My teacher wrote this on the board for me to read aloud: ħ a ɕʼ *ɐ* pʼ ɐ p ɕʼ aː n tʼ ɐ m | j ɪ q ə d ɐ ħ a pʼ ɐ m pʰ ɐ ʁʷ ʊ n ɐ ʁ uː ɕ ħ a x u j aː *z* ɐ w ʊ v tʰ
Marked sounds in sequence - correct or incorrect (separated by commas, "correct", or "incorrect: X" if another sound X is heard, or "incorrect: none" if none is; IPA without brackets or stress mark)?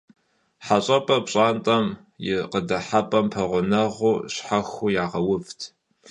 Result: correct, incorrect: ʁ